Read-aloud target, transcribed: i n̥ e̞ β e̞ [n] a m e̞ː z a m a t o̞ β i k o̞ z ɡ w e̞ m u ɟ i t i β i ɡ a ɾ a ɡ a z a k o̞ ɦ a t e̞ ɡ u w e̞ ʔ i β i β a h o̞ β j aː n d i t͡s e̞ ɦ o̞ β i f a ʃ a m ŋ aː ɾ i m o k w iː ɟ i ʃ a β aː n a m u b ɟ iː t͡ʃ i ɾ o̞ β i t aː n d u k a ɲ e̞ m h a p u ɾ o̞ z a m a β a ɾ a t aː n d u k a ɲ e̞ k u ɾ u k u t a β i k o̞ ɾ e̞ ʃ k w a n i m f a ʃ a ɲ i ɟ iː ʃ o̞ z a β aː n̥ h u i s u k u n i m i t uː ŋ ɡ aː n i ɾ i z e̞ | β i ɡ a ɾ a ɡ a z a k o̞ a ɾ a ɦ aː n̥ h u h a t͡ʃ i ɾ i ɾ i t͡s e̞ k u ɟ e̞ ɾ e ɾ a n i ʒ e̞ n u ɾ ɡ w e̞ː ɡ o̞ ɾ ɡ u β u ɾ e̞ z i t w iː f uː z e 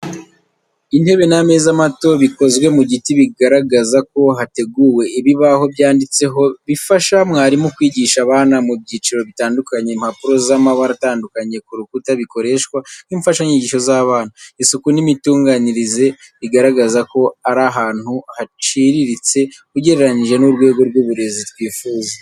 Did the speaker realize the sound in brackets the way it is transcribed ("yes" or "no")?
yes